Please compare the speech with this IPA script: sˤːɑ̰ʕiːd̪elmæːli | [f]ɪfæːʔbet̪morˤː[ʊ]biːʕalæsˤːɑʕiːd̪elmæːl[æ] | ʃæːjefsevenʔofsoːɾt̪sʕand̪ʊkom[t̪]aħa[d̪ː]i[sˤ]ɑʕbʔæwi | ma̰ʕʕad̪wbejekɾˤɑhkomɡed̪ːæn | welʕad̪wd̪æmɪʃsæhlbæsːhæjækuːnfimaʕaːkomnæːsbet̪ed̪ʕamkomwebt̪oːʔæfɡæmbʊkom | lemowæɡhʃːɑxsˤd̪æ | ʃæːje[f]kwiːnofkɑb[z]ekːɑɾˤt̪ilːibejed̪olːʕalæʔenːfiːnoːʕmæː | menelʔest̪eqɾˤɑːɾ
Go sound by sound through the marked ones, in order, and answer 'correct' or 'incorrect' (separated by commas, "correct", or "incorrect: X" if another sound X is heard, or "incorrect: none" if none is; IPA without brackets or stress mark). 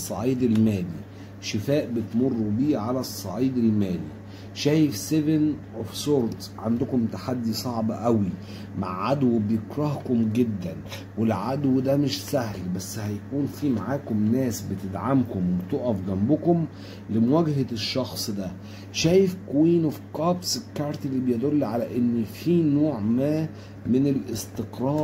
incorrect: ʃ, incorrect: u, incorrect: i, correct, correct, correct, correct, incorrect: s